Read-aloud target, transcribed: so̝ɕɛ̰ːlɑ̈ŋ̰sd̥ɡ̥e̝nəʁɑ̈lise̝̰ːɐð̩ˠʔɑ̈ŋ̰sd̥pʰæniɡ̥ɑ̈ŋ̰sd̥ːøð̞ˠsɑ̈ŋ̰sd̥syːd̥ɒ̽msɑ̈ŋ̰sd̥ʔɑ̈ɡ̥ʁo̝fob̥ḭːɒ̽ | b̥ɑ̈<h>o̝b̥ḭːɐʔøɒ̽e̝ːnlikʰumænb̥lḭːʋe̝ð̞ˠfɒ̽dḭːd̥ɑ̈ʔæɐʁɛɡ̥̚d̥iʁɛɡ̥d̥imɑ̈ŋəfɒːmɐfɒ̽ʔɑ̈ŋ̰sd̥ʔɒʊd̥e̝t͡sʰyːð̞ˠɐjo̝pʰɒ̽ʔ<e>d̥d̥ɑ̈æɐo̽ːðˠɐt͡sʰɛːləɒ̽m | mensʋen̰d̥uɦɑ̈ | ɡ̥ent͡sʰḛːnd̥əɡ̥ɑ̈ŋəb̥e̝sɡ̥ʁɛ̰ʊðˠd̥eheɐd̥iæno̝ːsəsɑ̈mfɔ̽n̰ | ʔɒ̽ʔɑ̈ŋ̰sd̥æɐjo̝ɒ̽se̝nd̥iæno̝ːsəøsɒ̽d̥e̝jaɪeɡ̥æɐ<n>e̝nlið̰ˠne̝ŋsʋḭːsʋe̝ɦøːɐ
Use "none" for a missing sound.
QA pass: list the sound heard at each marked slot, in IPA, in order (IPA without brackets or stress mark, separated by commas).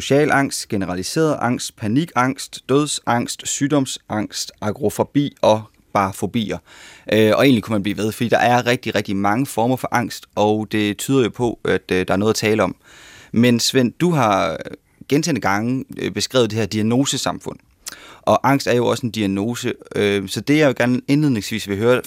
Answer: f, æ, n